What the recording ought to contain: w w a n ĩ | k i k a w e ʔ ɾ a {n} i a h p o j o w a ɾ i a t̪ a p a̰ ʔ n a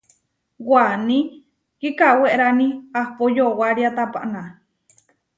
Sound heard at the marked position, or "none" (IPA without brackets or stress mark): n